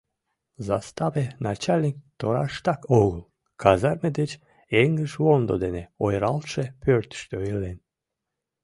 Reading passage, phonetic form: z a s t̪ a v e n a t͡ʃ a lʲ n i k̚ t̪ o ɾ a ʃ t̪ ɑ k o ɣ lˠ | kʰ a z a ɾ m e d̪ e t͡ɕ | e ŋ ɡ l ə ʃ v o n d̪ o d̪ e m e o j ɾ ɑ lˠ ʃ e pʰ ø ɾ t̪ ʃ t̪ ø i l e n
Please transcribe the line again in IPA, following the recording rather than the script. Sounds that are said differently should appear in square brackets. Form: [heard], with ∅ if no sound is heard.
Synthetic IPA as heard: z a s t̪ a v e n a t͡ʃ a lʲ n i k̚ t̪ o ɾ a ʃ t̪ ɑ k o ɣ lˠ | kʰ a z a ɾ m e d̪ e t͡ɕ | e ŋ ɡ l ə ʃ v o n d̪ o d̪ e [n] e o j ɾ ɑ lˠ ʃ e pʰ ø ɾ t̪ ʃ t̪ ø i l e n